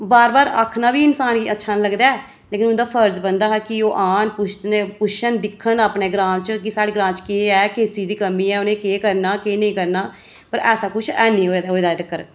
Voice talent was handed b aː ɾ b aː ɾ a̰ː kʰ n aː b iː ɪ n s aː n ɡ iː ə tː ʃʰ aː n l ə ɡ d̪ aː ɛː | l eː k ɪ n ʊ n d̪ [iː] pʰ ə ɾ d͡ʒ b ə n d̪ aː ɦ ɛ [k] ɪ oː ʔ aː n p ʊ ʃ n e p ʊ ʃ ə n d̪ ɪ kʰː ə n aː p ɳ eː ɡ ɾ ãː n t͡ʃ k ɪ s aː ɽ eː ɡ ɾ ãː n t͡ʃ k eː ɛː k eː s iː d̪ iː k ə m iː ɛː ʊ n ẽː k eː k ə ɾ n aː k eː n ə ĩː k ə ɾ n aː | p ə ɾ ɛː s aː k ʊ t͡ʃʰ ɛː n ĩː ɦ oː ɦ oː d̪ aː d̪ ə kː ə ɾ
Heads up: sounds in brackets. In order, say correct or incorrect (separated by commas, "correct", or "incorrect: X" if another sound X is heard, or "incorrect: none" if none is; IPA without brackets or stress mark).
incorrect: aː, correct